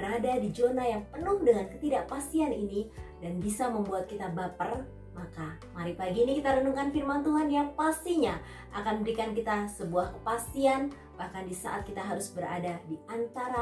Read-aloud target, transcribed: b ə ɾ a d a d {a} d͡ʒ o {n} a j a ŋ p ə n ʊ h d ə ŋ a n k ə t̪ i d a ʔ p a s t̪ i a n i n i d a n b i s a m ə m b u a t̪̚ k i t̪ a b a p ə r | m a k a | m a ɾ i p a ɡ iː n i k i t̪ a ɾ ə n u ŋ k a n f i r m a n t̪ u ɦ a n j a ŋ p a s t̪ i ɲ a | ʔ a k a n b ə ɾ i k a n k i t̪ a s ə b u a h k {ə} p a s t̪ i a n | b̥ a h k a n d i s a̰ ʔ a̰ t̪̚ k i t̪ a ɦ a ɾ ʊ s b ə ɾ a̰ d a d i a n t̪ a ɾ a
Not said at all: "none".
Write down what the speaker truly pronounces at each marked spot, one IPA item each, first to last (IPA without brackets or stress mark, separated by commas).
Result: i, n, ə